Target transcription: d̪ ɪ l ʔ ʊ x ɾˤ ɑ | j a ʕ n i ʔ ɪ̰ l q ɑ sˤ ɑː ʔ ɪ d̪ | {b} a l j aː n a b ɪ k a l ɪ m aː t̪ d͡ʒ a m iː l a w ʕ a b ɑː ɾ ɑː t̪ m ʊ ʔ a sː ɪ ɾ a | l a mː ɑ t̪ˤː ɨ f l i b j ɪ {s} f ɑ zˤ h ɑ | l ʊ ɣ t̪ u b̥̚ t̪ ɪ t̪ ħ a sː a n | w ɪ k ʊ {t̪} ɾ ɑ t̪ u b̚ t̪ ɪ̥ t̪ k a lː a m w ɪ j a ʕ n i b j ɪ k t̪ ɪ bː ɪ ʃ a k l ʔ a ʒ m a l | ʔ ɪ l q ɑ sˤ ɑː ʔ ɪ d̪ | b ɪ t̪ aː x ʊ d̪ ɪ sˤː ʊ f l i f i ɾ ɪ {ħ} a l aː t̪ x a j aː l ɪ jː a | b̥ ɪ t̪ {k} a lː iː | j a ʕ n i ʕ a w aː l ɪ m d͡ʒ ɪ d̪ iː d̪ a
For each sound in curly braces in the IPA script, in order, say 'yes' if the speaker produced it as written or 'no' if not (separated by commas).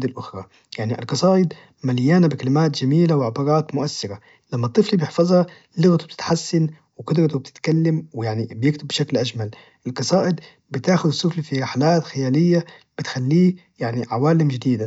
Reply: no, no, no, yes, no